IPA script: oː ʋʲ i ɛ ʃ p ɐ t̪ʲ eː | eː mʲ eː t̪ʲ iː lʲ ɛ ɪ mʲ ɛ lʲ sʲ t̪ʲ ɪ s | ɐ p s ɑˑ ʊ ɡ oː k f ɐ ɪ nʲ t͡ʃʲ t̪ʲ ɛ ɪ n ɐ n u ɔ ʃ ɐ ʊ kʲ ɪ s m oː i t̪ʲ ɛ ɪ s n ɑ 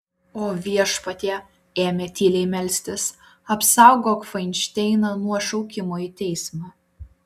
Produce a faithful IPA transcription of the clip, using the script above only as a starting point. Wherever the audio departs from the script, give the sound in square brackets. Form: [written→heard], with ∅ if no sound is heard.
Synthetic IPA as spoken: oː ʋʲ i ɛ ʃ p ɐ t̪ʲ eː | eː mʲ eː t̪ʲ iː lʲ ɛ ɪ mʲ ɛ lʲ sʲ t̪ʲ ɪ s | ɐ p s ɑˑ ʊ ɡ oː k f ɐ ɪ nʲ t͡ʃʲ t̪ʲ ɛ ɪ n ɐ n u ɔ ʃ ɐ ʊ kʲ ɪ [s→∅] m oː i t̪ʲ ɛ ɪ s [n→m] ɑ